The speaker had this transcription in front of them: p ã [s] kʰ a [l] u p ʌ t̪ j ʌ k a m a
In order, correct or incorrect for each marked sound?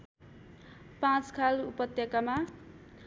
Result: incorrect: t͡s, correct

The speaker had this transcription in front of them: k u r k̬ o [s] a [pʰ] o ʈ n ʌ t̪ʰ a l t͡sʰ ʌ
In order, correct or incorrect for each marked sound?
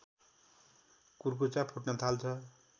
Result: incorrect: t͡s, correct

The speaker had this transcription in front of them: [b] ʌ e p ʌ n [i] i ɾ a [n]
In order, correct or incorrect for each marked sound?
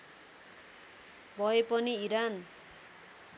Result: correct, correct, correct

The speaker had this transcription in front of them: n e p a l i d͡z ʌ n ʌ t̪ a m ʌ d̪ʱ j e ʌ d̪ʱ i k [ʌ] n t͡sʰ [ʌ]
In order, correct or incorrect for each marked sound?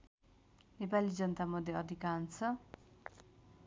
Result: incorrect: a, correct

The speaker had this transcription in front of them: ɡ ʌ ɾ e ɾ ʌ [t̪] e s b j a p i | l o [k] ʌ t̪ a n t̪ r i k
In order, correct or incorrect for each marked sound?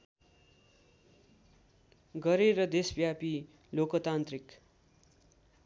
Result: incorrect: d̪, correct

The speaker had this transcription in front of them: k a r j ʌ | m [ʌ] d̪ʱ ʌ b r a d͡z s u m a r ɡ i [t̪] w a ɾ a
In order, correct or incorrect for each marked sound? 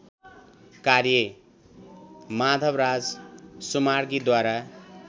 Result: incorrect: a, incorrect: d̪

